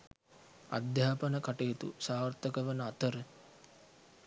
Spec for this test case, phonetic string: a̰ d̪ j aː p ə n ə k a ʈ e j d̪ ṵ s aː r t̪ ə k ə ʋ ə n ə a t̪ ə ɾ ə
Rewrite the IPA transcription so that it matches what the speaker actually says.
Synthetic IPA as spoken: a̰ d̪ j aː p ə n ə k a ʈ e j t̪ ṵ s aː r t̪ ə k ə ʋ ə n ə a t̪ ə ɾ ə